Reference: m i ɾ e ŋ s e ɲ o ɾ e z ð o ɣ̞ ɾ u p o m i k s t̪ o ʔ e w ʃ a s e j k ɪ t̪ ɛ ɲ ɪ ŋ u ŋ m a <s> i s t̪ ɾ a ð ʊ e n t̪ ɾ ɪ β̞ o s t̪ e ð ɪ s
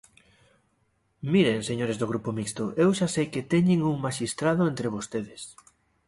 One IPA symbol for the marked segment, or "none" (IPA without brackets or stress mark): ʃ